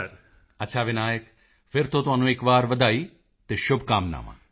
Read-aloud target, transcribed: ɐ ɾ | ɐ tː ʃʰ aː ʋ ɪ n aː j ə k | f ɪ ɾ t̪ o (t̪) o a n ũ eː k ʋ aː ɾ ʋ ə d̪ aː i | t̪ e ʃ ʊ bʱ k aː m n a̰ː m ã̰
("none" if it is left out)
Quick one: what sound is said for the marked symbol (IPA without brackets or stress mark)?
t̪